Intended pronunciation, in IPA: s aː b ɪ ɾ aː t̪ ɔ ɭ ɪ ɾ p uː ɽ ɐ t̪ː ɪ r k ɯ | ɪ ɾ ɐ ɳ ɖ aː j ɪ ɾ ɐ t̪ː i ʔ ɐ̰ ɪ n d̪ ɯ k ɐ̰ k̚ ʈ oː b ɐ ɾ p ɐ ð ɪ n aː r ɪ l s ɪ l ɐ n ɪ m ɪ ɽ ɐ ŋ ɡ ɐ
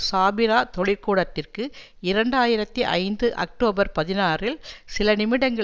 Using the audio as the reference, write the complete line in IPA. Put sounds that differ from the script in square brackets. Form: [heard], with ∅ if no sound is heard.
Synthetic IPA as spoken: s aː b ɪ ɾ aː t̪ ɔ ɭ ɪ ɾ [k] uː ɽ ɐ t̪ː ɪ r k ɯ | ɪ ɾ ɐ ɳ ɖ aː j ɪ ɾ ɐ t̪ː i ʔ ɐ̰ ɪ n d̪ ɯ [ʔ] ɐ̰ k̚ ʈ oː b ɐ ɾ p ɐ ð ɪ n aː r ɪ l s ɪ l ɐ n ɪ m ɪ ɽ ɐ ŋ ɡ ɐ

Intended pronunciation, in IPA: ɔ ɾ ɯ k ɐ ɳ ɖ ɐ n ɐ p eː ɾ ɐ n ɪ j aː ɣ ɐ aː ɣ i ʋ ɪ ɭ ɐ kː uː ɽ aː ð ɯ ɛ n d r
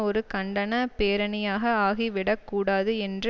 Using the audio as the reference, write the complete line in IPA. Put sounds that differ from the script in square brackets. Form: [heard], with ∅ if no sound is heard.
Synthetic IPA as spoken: ɔ ɾ ɯ k ɐ ɳ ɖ ɐ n ɐ p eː ɾ ɐ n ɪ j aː ɣ ɐ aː ɣ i ʋ ɪ [ɽ] ɐ kː uː ɽ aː ð ɯ ɛ n d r

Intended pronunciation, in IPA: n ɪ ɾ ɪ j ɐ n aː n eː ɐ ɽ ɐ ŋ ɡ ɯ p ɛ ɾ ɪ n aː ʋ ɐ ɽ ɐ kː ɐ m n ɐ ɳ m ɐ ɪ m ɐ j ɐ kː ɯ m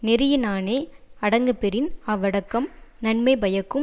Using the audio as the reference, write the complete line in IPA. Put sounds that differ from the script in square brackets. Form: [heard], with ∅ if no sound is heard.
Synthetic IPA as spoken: n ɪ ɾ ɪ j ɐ n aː n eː ɐ ɽ ɐ ŋ ɡ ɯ p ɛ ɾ ɪ n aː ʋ ɐ ɽ ɐ kː ɐ m n ɐ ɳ m ɐ ɪ [b] ɐ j ɐ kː ɯ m

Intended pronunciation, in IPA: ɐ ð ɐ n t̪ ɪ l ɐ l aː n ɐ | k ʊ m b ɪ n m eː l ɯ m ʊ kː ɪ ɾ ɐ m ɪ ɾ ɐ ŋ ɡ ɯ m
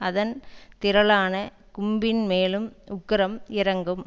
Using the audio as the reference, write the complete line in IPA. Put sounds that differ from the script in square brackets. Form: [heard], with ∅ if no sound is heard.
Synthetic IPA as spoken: ɐ ð ɐ n t̪ ɪ [ɾ] ɐ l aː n ɐ | k ʊ m b ɪ n m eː l ɯ m ʊ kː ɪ ɾ ɐ m ɪ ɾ ɐ ŋ ɡ ɯ m

